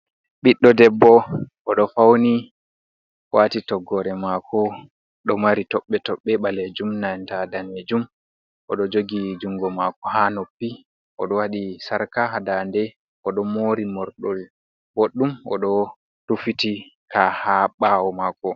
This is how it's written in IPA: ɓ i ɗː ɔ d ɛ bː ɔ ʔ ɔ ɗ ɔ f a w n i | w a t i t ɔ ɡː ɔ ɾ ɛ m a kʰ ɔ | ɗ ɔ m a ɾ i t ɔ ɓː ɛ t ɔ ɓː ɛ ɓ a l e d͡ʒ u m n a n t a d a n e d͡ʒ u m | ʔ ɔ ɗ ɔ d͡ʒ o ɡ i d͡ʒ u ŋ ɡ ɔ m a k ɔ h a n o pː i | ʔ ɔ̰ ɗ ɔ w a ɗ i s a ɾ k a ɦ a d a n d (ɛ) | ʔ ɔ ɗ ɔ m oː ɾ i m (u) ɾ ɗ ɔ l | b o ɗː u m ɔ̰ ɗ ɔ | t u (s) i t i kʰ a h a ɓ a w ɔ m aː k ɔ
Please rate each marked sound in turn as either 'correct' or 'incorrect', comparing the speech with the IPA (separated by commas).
correct, incorrect, incorrect